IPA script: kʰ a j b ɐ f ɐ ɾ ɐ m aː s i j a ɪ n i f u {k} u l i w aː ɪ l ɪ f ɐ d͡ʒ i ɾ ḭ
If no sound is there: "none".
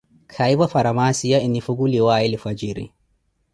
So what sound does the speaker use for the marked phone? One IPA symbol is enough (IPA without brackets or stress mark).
ɡ